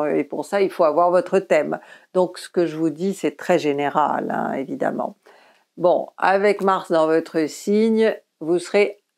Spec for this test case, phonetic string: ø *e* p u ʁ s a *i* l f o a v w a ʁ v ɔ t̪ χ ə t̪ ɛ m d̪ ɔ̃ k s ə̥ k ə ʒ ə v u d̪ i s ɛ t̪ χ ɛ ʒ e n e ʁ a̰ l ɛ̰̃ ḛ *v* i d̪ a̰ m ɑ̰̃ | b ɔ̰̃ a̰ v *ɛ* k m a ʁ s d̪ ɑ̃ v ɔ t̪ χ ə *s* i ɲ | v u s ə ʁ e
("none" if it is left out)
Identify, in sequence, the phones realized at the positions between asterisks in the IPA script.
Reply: e, i, v, ɛ, s

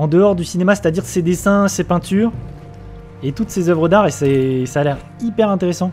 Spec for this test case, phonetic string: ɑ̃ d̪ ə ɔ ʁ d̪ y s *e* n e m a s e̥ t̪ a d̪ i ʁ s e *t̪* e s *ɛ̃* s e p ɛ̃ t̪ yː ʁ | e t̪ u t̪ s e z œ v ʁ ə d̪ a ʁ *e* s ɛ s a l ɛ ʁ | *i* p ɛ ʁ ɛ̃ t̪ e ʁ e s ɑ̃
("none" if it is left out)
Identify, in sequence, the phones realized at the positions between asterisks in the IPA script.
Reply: i, d̪, ɛ̃, e, i

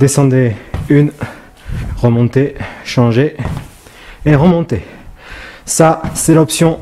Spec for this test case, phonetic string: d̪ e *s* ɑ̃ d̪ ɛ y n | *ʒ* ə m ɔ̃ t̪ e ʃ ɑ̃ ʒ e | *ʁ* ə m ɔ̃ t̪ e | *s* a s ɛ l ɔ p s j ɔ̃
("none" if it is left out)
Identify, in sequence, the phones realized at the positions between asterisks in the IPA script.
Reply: s, ʁ, ʁ, s

